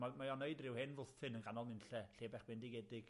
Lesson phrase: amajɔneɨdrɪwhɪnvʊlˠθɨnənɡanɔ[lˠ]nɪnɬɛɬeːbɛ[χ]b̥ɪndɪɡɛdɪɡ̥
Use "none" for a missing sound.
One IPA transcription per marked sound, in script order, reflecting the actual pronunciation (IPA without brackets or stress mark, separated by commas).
lˠ, χ